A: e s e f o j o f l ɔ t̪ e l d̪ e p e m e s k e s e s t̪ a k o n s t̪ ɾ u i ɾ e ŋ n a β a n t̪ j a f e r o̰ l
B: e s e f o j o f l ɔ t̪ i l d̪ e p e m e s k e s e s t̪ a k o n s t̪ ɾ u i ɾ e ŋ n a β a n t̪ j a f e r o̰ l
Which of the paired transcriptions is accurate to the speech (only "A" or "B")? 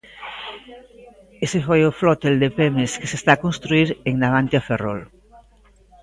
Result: A